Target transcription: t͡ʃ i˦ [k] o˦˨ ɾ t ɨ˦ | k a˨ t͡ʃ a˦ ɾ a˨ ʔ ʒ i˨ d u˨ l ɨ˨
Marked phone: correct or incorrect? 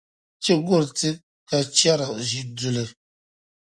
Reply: incorrect